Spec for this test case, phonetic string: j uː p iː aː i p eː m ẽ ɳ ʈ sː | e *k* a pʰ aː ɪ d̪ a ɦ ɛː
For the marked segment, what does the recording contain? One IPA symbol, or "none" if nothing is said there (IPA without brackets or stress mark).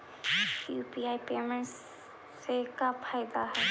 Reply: k